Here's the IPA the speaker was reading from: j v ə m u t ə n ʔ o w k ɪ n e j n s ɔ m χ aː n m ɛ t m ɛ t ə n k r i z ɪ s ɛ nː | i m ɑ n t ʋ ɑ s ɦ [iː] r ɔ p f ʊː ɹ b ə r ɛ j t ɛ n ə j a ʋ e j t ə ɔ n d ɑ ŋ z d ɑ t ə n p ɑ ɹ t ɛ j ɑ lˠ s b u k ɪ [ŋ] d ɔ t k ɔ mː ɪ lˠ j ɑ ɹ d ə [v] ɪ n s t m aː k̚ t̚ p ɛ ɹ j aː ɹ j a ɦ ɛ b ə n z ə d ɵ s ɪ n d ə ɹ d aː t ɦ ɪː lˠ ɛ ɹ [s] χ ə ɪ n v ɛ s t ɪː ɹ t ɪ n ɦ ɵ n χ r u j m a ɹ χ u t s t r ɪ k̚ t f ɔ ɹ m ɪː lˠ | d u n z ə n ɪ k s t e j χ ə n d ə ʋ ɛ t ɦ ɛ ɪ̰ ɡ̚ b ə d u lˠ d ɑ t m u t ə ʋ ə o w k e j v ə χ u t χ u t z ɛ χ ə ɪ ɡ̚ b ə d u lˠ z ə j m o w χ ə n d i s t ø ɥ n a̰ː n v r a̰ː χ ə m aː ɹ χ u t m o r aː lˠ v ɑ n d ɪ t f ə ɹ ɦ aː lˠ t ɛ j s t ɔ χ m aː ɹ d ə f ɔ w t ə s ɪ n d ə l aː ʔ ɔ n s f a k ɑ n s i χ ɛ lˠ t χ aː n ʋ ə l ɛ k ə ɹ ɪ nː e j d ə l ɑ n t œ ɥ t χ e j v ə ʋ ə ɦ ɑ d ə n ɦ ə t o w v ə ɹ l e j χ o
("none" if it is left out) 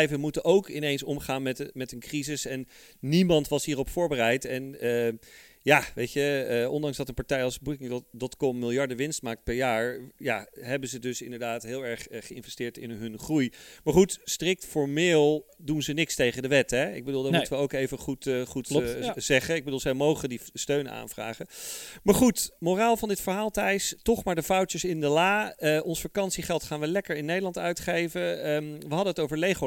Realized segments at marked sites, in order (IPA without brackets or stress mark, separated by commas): iː, ŋ, ʋ, χ